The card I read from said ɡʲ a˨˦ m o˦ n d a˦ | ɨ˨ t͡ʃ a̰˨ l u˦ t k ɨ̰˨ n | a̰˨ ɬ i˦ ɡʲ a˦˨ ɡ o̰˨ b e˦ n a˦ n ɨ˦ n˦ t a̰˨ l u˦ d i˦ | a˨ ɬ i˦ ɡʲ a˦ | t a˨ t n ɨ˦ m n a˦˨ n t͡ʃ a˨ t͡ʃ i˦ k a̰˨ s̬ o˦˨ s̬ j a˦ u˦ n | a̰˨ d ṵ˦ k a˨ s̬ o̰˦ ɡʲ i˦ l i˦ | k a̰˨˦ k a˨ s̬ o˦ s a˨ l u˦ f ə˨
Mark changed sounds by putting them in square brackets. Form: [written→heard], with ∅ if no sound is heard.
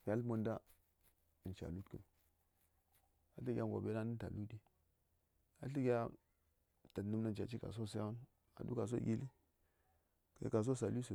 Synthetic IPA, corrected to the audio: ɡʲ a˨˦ m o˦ n d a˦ | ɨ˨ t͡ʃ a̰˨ l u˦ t k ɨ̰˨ n | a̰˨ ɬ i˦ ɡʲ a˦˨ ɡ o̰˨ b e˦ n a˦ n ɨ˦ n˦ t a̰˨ l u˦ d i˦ | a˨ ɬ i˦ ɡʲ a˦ | t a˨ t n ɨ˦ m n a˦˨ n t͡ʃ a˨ t͡ʃ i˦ k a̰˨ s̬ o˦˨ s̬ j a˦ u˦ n | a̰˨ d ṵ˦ k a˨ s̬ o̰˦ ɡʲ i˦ l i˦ | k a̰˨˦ k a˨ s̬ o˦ s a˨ l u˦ [f→s] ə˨